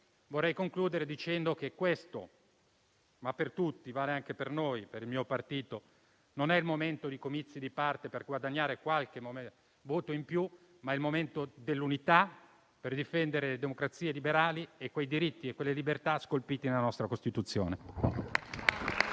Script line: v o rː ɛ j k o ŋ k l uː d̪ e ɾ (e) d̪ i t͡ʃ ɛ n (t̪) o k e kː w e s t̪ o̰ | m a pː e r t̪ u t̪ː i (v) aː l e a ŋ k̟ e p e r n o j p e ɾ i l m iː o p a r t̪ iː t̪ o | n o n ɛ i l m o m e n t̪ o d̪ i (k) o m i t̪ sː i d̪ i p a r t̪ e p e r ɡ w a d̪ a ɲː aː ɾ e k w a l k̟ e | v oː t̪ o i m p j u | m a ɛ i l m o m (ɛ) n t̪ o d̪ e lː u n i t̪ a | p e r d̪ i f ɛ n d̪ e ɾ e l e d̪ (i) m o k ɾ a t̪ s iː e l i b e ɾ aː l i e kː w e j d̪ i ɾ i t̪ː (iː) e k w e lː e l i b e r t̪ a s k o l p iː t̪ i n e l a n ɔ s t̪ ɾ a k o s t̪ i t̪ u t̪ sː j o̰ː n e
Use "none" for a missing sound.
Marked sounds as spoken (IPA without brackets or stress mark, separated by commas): e, d̪, v, k, e, e, i